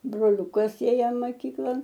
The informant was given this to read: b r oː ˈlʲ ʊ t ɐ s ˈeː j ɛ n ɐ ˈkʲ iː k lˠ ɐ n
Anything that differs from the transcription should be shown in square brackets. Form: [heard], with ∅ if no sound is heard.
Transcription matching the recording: b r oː ˈlʲ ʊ [k] ɐ s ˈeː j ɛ [m] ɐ ˈkʲ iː k lˠ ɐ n